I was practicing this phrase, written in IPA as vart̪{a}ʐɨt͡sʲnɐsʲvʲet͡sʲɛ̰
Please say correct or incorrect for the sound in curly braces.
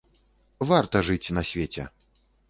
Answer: incorrect